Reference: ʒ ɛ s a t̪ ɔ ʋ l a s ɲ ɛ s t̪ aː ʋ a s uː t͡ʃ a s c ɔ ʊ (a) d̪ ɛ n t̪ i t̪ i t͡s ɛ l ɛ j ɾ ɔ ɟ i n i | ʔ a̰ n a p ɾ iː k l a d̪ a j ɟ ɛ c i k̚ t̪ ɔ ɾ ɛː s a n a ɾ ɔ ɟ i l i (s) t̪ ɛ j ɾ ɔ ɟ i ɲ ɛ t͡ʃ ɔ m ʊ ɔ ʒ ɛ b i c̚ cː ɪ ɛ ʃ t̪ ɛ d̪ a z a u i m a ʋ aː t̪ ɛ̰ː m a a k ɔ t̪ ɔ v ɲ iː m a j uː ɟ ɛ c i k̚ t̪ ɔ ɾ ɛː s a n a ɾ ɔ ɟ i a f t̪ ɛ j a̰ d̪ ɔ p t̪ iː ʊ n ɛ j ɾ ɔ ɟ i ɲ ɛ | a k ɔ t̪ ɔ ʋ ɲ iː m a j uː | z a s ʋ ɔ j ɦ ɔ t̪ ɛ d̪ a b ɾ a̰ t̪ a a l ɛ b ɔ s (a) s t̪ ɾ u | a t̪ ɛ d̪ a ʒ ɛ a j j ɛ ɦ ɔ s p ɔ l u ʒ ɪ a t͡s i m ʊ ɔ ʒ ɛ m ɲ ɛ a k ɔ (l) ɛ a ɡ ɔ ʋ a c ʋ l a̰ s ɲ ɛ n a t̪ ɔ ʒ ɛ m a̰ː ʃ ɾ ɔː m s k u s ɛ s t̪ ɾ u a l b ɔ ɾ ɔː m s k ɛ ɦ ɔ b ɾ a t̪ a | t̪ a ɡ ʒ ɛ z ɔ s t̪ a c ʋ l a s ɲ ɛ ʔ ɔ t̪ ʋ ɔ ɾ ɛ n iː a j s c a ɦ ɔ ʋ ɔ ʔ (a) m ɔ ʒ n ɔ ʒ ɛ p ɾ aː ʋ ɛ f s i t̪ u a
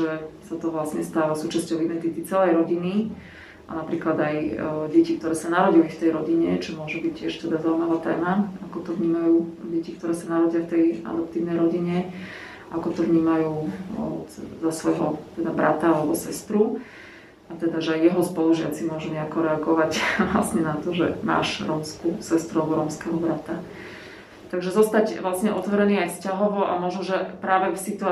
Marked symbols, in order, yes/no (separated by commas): no, no, no, no, yes